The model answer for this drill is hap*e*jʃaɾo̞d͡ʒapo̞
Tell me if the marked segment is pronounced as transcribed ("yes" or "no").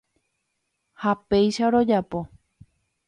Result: yes